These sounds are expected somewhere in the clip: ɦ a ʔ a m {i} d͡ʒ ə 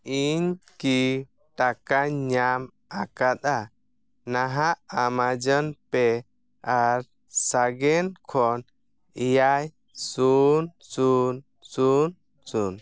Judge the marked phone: incorrect: a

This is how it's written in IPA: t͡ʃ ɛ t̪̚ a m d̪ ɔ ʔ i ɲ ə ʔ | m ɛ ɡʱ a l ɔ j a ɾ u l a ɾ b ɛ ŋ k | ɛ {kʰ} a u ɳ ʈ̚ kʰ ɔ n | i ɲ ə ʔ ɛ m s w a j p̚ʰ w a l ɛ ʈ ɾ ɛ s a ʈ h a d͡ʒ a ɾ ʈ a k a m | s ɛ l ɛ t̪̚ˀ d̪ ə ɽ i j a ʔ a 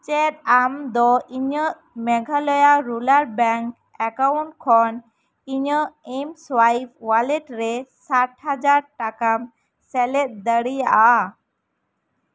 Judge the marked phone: incorrect: k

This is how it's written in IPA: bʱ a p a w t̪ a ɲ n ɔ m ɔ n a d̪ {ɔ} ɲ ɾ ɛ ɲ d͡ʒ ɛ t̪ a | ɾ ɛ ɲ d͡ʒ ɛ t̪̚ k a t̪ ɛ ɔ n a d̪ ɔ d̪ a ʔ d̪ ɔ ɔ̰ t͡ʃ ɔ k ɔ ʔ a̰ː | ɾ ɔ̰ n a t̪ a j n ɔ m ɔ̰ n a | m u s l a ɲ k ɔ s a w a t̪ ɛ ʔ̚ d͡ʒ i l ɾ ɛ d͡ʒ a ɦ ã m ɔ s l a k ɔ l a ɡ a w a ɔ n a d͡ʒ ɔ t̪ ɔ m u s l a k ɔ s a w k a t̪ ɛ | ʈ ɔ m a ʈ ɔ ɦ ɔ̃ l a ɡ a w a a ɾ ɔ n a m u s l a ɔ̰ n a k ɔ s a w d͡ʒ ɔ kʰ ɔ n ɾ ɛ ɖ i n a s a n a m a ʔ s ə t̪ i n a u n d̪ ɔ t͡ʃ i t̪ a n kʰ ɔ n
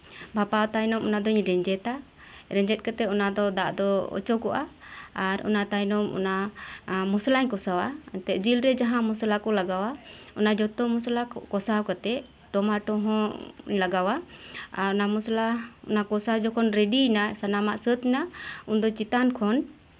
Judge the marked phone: correct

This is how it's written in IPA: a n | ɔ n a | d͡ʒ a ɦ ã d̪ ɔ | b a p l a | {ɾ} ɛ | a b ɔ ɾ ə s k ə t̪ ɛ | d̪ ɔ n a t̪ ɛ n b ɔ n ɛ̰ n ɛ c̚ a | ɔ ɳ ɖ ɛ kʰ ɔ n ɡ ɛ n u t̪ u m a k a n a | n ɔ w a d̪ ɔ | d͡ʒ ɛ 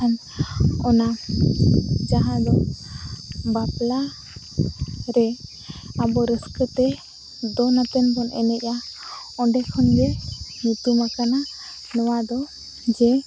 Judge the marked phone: correct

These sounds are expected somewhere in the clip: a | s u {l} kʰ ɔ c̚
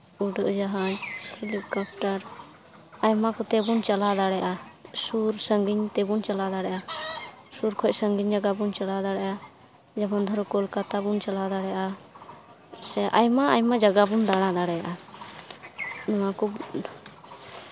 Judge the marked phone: incorrect: ɾ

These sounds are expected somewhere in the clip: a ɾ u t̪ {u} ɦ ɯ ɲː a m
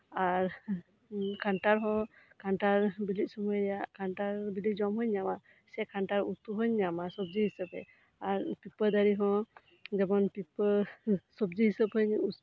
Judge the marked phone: correct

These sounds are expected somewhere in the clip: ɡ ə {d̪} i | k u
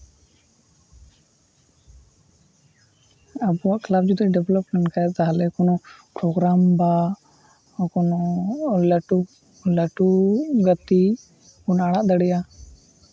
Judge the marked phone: incorrect: t̪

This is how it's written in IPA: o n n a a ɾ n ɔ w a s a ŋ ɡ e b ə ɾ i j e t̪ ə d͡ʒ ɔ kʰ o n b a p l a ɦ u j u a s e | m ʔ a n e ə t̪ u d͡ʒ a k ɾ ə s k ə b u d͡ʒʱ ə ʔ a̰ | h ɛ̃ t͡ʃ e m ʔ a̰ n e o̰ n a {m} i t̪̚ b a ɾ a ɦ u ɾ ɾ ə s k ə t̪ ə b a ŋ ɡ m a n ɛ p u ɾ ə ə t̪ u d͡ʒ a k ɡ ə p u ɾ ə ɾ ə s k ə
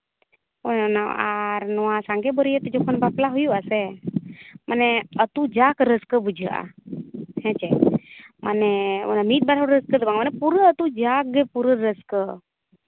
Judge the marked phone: correct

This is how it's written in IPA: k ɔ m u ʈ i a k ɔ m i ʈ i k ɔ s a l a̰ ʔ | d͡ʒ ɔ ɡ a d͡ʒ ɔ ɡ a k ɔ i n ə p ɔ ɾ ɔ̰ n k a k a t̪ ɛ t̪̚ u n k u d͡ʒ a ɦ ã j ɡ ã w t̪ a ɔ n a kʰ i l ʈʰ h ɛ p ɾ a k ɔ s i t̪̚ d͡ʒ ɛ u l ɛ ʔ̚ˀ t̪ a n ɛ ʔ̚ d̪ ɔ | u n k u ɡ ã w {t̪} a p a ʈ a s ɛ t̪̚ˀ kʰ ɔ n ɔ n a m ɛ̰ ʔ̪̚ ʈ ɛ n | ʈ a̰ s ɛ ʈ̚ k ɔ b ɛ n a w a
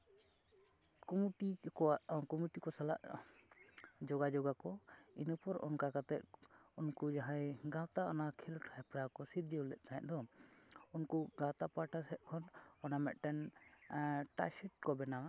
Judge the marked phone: correct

